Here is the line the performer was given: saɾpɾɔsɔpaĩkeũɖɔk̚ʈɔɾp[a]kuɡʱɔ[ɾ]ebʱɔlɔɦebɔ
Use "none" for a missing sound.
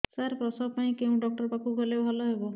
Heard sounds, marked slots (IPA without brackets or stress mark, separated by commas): a, l